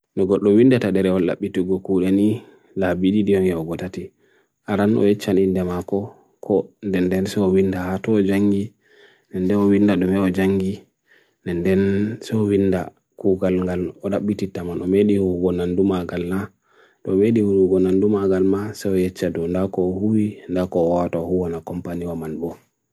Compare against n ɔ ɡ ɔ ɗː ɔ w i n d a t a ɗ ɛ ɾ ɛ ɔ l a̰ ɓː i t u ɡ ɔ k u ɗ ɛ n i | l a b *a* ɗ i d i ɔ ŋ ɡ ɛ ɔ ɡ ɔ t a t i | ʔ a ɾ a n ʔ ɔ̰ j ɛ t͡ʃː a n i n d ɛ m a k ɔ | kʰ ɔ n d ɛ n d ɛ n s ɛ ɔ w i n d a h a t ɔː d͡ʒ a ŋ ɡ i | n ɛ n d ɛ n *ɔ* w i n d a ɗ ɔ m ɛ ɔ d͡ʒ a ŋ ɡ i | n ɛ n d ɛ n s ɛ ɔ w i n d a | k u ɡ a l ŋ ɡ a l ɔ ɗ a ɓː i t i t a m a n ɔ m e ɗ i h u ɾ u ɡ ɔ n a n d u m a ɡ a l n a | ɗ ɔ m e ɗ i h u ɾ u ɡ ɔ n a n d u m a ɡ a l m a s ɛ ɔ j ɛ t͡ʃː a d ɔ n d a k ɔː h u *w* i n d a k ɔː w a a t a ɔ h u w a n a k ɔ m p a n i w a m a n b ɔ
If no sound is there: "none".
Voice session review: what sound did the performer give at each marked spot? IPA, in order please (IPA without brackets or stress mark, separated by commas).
i, ɔ, w